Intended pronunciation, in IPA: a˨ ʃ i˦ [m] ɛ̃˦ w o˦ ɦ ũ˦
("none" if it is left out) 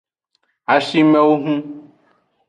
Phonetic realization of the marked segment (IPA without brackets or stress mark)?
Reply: m